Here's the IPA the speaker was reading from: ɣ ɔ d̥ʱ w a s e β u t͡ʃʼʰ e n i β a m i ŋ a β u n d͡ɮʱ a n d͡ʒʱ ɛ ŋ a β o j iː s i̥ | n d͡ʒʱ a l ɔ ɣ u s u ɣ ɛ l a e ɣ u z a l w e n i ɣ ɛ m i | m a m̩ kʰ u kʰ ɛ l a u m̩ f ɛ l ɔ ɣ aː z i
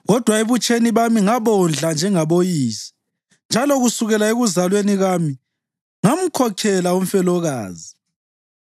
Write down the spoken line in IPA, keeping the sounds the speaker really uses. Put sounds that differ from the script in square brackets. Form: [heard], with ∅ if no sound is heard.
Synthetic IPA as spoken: ɣ ɔ d̥ʱ w a [∅] e β u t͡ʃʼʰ e n i β a m i ŋ a β [ɔ] n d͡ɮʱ a n d͡ʒʱ ɛ ŋ a β o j iː s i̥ | n d͡ʒʱ a l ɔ ɣ u s u ɣ ɛ l a e ɣ u z a l w e n i ɣ [a] m i | [ŋ] a m̩ kʰ [ɔ] kʰ ɛ l a u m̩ f ɛ l ɔ ɣ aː z i